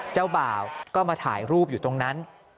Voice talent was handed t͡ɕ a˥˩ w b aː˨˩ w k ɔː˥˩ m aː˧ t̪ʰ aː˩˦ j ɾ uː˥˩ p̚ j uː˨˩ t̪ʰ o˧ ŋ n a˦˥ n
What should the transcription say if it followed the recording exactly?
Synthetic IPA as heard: t͡ɕ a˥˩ w b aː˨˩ w k ɔː˥˩ m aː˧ t̪ʰ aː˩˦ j ɾ uː˥˩ p̚ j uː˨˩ t̪ o˧ ŋ n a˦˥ n